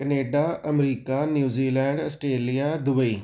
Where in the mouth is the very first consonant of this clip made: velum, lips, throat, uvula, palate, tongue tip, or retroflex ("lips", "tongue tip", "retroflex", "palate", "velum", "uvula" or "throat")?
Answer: velum